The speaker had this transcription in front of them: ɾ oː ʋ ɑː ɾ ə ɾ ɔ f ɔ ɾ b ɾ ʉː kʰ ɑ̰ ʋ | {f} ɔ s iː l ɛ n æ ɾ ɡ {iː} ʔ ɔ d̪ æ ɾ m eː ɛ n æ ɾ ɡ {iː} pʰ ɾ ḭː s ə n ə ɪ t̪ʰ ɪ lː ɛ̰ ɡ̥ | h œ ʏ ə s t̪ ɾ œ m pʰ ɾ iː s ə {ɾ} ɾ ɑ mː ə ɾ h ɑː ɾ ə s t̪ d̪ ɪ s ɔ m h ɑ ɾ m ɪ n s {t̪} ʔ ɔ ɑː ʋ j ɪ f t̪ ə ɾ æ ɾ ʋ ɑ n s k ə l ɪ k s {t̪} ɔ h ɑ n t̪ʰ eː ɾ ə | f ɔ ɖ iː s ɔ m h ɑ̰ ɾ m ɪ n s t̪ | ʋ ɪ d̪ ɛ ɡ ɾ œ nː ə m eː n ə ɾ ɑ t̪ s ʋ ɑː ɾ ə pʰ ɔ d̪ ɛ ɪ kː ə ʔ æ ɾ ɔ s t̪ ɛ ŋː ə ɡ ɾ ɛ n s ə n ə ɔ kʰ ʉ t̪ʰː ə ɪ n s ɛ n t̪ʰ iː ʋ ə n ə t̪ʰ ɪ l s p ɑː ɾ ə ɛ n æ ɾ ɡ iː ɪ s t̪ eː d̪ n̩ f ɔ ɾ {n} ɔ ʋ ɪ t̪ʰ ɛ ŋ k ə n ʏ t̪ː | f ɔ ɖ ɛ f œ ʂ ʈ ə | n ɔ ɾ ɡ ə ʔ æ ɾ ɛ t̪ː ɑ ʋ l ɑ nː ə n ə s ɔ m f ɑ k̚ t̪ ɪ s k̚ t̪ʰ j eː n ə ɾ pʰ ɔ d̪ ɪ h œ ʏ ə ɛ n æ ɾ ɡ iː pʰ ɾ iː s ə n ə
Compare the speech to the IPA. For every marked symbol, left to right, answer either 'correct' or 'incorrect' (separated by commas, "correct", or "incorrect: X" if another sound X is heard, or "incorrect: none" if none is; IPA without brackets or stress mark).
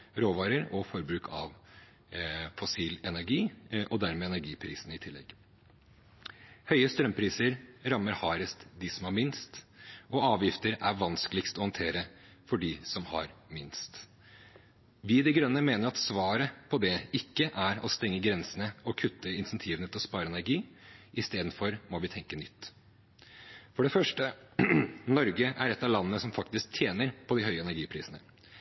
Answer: correct, correct, correct, correct, correct, correct, incorrect: m